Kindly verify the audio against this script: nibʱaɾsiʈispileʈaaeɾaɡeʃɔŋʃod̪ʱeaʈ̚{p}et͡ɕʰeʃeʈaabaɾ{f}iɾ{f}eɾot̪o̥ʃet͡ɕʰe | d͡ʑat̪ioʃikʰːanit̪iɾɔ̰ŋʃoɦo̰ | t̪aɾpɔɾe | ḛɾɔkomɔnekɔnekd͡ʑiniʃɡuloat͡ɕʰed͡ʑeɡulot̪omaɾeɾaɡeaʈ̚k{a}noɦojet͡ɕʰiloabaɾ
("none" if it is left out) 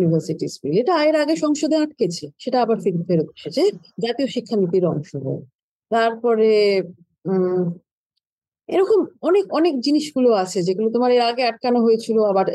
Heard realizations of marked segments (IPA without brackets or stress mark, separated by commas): k, f, f, a